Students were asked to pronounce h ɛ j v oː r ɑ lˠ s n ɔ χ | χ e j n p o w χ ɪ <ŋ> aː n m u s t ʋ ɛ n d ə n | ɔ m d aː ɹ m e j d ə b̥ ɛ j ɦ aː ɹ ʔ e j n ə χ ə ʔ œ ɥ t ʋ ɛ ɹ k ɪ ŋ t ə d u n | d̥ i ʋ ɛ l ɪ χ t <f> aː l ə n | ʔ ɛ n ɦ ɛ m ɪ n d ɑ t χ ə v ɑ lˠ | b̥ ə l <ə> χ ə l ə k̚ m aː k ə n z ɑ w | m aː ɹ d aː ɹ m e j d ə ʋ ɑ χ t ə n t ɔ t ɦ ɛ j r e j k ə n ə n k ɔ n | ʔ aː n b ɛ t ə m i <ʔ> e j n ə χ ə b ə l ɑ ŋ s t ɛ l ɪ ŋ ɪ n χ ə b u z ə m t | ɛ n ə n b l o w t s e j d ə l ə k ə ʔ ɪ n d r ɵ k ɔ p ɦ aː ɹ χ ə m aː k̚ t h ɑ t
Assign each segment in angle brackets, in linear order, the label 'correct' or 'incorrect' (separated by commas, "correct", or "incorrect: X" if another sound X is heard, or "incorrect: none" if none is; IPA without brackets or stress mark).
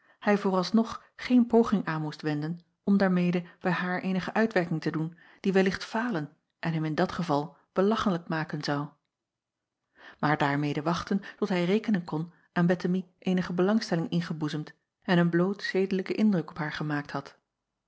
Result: correct, correct, incorrect: ɑ, correct